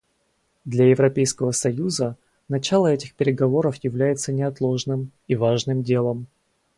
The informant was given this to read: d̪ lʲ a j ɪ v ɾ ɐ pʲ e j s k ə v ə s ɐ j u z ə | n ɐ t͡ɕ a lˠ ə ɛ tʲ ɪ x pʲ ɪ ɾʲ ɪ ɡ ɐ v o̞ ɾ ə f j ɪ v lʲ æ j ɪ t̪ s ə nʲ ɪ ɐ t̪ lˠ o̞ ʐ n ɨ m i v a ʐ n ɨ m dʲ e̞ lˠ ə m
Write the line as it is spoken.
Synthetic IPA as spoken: d̪ lʲ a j ɪ v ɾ ɐ pʲ e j s k ə v ə s ɐ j u z ə | n ɐ t͡ɕ a lˠ ə ɛ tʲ ɪ x pʲ ɪ ɾʲ ɪ ɡ ɐ v o̞ ɾ ə f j ɪ v lʲ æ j ɪ t̪ s ə nʲ ɪ ɐ t̪ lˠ o̞ ʐ n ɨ m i v a ʐ n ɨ m dʲ e̞ lˠ ə m